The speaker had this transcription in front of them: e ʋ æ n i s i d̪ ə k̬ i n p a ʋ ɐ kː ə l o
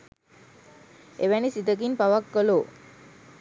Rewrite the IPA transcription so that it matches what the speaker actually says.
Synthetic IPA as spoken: e ʋ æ n i s i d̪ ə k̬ i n p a ʋ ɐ kː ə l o